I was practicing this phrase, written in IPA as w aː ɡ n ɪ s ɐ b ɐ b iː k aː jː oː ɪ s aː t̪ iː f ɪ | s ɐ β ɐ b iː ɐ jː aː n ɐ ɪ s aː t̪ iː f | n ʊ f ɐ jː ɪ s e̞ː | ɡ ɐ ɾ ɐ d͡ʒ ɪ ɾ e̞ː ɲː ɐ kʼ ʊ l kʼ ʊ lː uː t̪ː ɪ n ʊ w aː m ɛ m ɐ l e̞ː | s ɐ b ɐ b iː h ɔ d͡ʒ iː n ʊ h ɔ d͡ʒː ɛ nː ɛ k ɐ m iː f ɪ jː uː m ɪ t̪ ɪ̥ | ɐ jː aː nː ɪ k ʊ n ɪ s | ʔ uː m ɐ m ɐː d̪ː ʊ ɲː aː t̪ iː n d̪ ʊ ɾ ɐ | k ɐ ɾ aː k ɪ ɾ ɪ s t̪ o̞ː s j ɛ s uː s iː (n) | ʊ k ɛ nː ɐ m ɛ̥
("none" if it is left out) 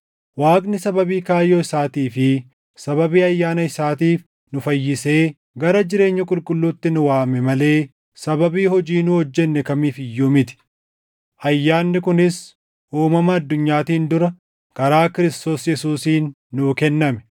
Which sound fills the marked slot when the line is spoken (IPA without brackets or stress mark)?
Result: nː